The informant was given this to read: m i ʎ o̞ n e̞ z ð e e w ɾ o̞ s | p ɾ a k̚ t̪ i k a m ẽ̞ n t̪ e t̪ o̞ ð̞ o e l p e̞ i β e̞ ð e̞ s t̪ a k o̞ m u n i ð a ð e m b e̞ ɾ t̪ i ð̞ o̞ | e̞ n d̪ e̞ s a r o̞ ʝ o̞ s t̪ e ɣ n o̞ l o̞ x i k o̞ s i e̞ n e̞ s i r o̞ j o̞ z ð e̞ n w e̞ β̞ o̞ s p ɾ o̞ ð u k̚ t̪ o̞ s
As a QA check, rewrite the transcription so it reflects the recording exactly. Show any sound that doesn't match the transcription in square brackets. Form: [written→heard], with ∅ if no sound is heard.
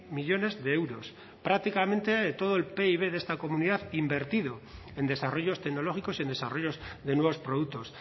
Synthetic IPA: m i ʎ o̞ n e̞ z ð e e w ɾ o̞ s | p ɾ a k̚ t̪ i k a m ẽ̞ n t̪ e t̪ o̞ ð̞ o e l p e̞ i β e̞ ð e̞ s t̪ a k o̞ m u n i ð a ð [e→i] m b e̞ ɾ t̪ i ð̞ o̞ | e̞ n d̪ e̞ s a r o̞ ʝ o̞ s t̪ e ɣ n o̞ l o̞ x i k o̞ s i e̞ n e̞ s [i→a] r o̞ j o̞ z ð e̞ n w e̞ β̞ o̞ s p ɾ o̞ ð u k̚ t̪ o̞ s